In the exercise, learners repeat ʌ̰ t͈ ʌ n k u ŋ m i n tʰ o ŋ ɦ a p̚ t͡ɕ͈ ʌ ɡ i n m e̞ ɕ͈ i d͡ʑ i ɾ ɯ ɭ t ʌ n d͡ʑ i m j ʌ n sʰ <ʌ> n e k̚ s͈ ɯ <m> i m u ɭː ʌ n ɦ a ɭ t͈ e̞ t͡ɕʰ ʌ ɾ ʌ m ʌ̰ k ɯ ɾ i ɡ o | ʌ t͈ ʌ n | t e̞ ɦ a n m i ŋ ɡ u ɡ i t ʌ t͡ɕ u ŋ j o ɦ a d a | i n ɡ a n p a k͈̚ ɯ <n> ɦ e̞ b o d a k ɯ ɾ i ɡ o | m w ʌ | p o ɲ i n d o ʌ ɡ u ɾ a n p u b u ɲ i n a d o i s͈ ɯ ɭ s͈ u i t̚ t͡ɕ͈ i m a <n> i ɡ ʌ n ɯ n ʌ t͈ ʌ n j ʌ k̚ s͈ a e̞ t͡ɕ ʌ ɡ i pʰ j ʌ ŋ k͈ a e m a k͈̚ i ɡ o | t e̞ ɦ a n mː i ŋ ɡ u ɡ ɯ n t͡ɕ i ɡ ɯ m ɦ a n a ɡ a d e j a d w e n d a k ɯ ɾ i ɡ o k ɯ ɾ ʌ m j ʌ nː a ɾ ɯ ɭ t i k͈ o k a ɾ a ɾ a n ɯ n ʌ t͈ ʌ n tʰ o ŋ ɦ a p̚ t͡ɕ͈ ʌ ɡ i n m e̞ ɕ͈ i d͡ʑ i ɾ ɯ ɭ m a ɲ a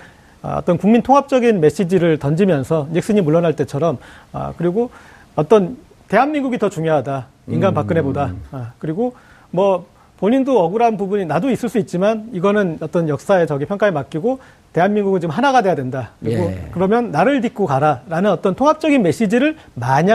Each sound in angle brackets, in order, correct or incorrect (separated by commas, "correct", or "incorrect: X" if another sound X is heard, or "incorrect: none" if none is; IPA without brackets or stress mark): correct, incorrect: ɲ, correct, correct